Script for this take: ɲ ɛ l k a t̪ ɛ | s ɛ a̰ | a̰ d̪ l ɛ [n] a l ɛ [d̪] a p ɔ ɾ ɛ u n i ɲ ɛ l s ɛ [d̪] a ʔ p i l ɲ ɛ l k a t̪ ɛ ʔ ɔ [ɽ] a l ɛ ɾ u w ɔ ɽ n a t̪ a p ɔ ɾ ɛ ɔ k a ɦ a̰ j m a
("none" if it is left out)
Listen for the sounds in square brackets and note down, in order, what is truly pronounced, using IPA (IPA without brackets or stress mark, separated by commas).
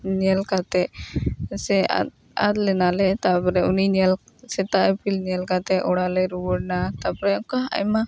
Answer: n, t̪, t̪, ɽ